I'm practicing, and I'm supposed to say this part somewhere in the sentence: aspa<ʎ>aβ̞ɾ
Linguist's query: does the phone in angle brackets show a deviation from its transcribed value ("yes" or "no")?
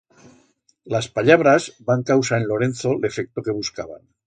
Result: no